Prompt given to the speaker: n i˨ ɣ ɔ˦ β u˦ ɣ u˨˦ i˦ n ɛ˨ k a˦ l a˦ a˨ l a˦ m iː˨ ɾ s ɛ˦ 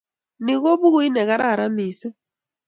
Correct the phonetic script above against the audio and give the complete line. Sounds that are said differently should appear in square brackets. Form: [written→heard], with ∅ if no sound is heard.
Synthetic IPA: n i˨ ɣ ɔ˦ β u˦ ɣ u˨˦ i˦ n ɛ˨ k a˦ [l→ɾ] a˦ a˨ [l→ɾ] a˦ m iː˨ [ɾ→∅] s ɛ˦

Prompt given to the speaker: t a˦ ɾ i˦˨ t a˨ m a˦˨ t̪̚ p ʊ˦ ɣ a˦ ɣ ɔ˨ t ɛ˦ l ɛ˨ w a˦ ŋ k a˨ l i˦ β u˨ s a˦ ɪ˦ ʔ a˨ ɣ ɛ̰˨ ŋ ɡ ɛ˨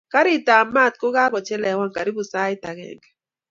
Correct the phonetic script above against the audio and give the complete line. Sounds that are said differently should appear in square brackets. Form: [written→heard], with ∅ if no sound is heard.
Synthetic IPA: [t→k] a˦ ɾ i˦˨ t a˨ m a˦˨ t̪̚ [p→k] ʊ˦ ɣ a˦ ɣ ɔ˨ [t→t͡ʃ] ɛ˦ l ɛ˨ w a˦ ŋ k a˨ [l→ɾ] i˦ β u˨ s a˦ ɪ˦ [ʔ→t] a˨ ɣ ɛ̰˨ ŋ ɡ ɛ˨

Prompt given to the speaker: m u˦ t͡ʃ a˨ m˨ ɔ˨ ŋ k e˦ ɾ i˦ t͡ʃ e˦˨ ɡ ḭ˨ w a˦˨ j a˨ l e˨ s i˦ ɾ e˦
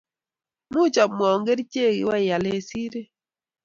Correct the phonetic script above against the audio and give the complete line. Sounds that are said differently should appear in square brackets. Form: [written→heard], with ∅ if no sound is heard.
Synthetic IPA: m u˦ t͡ʃ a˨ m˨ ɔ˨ ŋ [k→ɡ] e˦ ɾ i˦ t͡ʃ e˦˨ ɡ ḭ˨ w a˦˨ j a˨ l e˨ s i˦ ɾ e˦

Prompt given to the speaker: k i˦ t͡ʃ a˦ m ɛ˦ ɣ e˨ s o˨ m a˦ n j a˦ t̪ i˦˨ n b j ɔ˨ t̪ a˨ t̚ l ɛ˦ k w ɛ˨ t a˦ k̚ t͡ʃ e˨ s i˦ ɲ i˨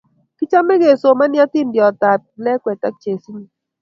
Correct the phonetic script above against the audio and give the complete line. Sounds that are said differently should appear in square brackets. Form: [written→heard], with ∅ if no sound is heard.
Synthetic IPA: k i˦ t͡ʃ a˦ m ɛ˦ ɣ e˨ s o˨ m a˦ n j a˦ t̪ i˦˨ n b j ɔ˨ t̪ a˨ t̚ l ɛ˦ k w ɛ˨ t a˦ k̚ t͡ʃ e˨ s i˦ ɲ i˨

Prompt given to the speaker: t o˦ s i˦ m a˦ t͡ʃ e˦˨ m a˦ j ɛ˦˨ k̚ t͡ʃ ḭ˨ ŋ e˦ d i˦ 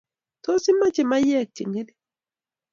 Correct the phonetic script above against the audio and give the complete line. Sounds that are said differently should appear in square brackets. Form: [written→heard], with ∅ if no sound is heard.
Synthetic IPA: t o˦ s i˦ m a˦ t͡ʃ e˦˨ m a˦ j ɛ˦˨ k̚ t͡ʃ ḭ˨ ŋ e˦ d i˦

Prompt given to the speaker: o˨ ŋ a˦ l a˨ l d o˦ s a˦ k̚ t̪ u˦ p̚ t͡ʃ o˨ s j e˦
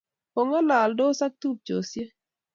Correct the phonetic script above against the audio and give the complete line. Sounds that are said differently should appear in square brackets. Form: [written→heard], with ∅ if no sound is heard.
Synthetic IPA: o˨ ŋ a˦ l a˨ l d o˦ s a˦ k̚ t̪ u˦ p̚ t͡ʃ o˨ s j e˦

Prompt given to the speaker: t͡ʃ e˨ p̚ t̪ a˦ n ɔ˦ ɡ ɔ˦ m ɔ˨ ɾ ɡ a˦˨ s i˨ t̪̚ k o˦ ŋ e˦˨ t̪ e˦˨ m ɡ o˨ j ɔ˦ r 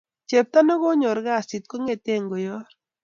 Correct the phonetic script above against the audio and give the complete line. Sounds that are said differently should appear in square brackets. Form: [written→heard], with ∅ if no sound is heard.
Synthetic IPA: t͡ʃ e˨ p̚ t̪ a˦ n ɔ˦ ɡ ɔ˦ [m→ɲ] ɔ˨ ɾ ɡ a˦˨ s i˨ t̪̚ k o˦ ŋ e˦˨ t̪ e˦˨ [m→ŋ] ɡ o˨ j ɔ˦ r

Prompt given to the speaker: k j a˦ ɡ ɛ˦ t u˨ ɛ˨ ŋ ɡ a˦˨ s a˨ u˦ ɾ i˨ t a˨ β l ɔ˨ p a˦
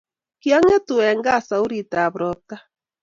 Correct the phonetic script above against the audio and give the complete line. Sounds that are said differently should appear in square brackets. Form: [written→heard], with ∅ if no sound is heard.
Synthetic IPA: k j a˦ [ɡ→ŋ] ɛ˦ t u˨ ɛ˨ ŋ ɡ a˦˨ s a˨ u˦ ɾ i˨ t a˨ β [l→ɾ] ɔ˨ [p→t] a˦

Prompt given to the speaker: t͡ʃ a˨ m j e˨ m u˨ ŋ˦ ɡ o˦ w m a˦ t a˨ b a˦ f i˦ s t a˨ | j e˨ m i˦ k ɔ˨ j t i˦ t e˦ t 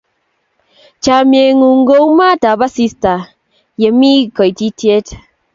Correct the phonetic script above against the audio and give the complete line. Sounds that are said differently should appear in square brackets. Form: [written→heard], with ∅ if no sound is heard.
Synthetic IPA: t͡ʃ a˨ m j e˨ [m→ŋ] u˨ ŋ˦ ɡ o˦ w m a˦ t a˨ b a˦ [f→s] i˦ s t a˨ | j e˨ m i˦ k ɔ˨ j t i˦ t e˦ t

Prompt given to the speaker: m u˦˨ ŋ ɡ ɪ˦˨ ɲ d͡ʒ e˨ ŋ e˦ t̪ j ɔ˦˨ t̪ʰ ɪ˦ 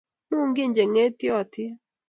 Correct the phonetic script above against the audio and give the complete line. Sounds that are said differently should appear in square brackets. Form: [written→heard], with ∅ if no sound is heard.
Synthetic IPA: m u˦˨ ŋ ɡ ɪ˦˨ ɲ d͡ʒ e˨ ŋ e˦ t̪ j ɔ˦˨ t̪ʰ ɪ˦

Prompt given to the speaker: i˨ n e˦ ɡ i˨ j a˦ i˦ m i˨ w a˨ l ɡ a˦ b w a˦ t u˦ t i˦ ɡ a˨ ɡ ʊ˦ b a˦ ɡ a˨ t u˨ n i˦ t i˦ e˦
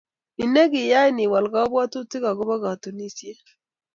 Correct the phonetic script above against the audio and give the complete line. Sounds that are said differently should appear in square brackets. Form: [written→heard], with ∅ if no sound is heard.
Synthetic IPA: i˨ n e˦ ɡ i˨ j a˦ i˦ [m→n] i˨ w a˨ l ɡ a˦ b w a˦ t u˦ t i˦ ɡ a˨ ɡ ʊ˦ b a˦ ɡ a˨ t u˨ n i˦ [t→s] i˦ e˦

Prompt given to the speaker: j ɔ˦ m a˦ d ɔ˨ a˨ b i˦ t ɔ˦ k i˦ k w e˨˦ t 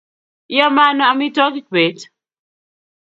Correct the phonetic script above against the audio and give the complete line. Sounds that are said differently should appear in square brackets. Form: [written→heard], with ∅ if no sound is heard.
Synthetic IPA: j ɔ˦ m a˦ [d→n] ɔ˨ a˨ [b→m] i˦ t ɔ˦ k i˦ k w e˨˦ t

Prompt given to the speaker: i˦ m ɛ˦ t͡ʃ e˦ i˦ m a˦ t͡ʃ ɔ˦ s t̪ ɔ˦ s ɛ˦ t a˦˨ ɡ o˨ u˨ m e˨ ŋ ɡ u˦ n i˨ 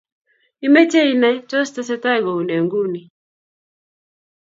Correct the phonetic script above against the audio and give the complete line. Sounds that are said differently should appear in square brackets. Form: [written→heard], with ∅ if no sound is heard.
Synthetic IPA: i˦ m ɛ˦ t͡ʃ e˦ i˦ [m→n] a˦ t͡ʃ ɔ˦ s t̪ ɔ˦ s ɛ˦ t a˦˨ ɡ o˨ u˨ [m→n] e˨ ŋ ɡ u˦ n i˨

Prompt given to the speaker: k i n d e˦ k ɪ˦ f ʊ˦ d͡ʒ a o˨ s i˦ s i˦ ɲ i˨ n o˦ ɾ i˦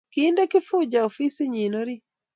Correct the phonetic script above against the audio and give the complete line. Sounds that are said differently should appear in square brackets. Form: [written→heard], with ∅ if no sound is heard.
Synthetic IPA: k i n d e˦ k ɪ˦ f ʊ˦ d͡ʒ a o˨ [s→f] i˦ s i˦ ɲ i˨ n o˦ ɾ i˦

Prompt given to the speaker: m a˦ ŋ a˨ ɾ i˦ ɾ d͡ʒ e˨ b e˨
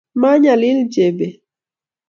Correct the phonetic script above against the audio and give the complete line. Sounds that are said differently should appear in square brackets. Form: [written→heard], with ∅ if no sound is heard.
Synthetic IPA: m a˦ [ŋ→ɲ] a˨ [ɾ→l] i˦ [ɾ→l] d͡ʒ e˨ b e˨

